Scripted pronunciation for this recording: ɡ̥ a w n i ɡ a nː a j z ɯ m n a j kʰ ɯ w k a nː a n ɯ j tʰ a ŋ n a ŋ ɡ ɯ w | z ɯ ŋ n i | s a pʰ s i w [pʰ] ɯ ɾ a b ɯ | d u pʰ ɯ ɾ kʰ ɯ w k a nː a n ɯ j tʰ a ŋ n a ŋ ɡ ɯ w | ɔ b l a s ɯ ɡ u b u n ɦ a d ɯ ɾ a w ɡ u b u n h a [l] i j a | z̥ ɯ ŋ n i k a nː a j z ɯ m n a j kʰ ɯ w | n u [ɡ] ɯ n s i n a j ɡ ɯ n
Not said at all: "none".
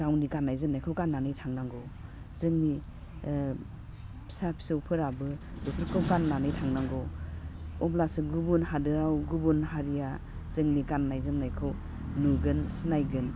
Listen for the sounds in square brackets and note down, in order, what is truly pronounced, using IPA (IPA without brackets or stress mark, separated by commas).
pʰ, ɾ, ɡ